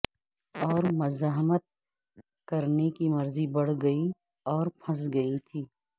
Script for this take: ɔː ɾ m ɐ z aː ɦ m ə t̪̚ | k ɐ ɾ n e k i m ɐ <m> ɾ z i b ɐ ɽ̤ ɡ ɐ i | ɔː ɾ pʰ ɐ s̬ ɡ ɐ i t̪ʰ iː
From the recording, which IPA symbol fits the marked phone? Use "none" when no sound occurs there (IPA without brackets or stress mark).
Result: none